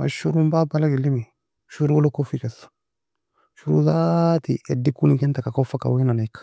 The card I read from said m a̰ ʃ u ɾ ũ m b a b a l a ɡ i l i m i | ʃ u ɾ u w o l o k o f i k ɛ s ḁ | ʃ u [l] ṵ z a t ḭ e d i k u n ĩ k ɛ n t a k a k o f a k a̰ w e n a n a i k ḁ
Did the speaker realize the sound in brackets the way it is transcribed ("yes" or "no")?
no